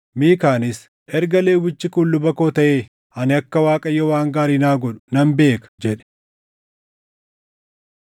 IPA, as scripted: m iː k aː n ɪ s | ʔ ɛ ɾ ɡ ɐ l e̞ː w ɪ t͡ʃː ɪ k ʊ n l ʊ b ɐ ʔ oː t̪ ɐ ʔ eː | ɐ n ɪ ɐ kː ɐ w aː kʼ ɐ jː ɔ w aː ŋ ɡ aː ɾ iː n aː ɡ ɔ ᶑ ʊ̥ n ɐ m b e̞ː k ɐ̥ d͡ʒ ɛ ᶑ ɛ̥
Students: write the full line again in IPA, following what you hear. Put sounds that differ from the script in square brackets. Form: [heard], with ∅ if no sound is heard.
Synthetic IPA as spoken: m iː k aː n ɪ s | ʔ ɛ ɾ ɡ ɐ l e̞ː w ɪ t͡ʃː ɪ k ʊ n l ʊ b ɐ [k] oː t̪ ɐ ʔ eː | ɐ n ɪ ɐ kː ɐ w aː kʼ ɐ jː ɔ w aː ŋ ɡ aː ɾ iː n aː ɡ ɔ ᶑ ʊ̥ n ɐ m b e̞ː k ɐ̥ d͡ʒ ɛ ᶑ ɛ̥